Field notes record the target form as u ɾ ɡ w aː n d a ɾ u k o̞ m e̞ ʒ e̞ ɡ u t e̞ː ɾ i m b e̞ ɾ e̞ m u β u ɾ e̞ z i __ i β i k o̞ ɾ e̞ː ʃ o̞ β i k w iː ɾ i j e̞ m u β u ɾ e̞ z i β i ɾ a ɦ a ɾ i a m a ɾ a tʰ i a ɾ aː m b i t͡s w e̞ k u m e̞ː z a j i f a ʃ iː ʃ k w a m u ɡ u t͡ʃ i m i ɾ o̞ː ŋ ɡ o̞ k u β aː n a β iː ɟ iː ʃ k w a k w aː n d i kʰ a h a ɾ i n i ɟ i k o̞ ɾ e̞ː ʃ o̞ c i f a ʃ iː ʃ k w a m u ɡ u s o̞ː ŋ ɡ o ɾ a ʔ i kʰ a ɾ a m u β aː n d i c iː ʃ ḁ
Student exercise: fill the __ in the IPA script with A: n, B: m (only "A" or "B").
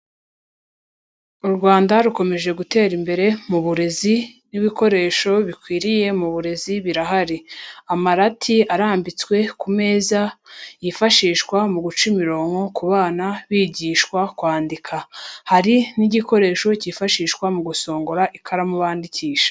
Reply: A